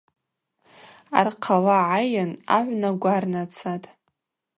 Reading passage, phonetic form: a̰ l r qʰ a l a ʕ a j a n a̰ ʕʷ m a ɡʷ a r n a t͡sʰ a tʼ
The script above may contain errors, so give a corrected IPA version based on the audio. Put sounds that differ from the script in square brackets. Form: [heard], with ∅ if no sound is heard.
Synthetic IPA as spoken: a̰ [∅] r qʰ a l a ʕ a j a n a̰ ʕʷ [n] a ɡʷ a r n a t͡sʰ a tʼ